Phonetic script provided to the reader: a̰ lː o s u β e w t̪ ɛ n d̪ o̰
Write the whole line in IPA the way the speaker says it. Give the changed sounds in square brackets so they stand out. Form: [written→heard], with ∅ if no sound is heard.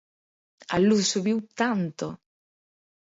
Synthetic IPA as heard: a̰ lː [o→u] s u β [e→i] w t̪ [ɛ→a] n [d̪→t̪] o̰